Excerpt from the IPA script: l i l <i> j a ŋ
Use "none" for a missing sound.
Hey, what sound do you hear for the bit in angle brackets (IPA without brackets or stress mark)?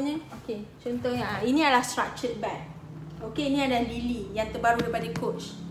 i